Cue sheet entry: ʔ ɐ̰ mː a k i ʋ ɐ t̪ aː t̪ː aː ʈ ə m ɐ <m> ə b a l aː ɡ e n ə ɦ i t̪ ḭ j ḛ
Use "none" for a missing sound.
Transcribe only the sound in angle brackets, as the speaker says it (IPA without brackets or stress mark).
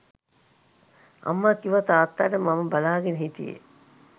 m